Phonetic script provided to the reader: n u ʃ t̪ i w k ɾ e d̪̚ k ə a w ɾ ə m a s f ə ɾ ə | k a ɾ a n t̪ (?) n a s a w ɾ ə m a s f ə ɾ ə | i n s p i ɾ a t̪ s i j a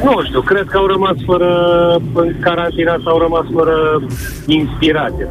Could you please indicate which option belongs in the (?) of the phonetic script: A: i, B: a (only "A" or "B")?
A